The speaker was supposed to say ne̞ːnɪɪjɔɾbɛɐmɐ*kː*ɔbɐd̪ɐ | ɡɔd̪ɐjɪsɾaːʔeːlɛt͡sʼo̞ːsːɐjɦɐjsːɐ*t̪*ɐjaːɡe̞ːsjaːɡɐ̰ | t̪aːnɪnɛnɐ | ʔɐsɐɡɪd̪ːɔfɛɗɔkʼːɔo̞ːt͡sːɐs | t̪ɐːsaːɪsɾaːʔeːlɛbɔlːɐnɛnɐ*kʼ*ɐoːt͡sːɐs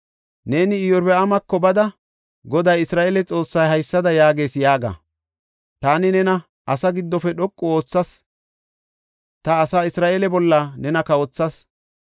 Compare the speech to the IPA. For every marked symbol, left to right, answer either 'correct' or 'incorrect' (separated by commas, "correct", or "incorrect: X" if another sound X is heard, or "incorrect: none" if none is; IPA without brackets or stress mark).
correct, incorrect: d̪, incorrect: k